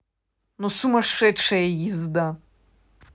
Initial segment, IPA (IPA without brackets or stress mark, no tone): n